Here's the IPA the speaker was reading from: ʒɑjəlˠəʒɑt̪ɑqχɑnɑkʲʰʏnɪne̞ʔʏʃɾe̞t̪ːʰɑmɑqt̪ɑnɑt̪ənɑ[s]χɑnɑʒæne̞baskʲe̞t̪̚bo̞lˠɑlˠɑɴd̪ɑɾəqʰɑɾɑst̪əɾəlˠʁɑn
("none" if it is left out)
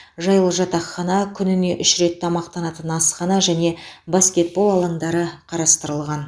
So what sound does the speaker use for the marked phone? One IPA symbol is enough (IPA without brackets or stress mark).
s